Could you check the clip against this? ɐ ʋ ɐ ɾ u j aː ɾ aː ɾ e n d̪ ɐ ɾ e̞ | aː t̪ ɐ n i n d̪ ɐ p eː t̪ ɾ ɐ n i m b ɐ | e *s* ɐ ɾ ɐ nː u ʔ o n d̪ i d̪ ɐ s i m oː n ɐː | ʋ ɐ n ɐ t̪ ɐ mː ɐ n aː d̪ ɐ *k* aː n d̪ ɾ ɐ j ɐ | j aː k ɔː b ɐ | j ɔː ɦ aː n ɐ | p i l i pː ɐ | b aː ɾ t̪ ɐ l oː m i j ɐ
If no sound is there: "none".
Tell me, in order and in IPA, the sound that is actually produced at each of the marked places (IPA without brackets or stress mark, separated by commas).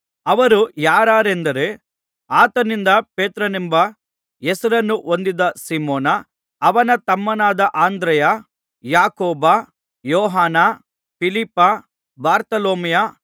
s, ʔ